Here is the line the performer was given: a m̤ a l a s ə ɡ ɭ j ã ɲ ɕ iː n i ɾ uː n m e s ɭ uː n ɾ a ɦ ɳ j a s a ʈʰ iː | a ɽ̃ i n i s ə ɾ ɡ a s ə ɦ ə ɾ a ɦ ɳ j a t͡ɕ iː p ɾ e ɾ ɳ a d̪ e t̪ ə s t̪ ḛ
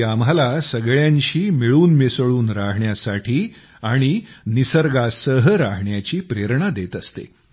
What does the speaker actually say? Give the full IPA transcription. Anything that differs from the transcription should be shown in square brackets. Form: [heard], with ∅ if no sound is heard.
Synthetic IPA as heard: a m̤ a l a s ə ɡ ɭ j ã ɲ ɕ iː [m] i [ɭ] uː n m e s ɭ uː n ɾ a ɦ ɳ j a s a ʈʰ iː | a ɽ̃ i n i s ə ɾ ɡ a s ə ɦ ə ɾ a ɦ ɳ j a t͡ɕ iː p ɾ e ɾ ɳ a d̪ e t̪ ə s t̪ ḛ